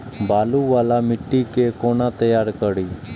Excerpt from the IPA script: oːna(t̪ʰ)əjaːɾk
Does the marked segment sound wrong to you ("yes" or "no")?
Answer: yes